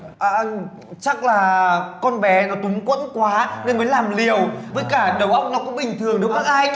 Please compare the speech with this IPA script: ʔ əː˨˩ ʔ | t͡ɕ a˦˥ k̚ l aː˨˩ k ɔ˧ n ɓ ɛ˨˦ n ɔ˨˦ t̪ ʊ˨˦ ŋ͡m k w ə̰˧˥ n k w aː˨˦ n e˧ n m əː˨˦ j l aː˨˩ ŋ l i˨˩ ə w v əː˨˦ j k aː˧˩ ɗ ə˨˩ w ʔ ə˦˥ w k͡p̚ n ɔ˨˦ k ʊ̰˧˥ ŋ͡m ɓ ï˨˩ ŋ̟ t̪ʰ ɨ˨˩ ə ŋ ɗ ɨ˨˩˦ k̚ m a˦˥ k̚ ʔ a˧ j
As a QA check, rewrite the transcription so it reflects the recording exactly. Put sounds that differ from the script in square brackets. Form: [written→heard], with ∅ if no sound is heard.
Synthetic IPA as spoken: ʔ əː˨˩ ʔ | t͡ɕ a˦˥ k̚ l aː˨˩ k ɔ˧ n ɓ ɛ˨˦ n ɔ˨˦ t̪ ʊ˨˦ ŋ͡m k w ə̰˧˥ n k w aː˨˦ n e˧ n m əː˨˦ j l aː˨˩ [ŋ→m] l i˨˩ ə w v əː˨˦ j k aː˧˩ ɗ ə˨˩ w ʔ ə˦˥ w k͡p̚ n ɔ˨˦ k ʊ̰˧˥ ŋ͡m ɓ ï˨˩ ŋ̟ t̪ʰ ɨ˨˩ ə ŋ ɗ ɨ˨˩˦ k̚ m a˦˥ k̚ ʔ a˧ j